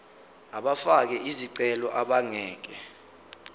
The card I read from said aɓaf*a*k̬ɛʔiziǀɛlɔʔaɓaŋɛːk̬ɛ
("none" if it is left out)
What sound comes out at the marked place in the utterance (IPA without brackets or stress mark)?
a